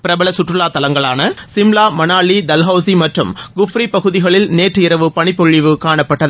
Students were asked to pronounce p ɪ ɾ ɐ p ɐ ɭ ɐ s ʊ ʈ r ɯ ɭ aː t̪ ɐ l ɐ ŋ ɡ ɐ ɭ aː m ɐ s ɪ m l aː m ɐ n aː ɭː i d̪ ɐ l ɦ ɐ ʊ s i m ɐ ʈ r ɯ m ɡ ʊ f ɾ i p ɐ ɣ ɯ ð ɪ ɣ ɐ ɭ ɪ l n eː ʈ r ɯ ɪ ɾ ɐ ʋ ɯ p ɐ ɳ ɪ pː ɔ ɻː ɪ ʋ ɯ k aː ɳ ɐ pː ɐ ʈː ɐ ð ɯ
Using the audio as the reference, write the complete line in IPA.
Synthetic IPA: p ɪ ɾ ɐ b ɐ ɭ ɐ s ʊ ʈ r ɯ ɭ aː t̪ ɐ l ɐ ŋ ɡ ɐ ɭ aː n ɐ s ɪ m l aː m ɐ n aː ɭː i d̪ ɐ l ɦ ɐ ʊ s i m ɐ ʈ r ɯ m ɡ ʊ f ɾ i p ɐ ɣ ɯ ð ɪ ɣ ɐ ɭ ɪ l n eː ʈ r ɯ ɪ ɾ ɐ ʋ ɯ p ɐ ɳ ɪ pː ɔ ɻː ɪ ʋ ɯ k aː ɳ ɐ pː ɐ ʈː ɐ ð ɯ